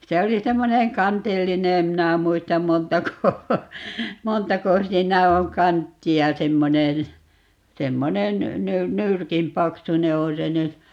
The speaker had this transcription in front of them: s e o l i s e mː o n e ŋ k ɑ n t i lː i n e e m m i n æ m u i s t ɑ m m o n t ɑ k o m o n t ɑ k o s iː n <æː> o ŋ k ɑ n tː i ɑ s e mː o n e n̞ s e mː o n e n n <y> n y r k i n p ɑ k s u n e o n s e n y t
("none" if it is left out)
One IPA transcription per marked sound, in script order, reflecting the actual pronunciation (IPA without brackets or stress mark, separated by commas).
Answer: æ, y